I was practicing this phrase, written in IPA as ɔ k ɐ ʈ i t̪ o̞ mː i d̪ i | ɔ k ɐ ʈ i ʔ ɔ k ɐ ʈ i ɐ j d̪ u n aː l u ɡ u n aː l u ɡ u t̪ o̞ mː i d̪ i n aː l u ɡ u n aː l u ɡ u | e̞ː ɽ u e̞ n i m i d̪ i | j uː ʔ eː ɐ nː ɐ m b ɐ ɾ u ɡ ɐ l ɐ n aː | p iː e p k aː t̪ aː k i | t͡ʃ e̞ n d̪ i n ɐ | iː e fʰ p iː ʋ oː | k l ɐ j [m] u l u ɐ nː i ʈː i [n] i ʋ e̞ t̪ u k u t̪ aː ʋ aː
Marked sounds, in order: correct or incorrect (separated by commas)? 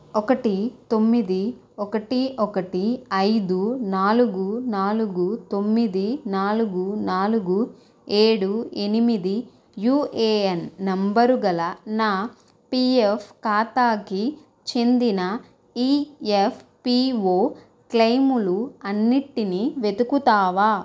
correct, correct